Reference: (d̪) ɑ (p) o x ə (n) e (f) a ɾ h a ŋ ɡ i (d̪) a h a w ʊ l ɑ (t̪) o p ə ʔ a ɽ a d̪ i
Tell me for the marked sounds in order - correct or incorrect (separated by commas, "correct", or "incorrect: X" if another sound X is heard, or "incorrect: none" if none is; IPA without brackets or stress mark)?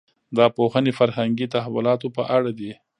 correct, correct, correct, correct, incorrect: t̪, correct